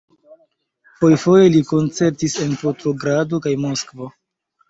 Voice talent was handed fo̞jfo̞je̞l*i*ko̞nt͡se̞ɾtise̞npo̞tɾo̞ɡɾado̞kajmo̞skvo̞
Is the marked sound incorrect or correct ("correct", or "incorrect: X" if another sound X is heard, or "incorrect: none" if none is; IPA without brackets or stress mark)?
correct